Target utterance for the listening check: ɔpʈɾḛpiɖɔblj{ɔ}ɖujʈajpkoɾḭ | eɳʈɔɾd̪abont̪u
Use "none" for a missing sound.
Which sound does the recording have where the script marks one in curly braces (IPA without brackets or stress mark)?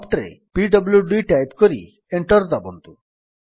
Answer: u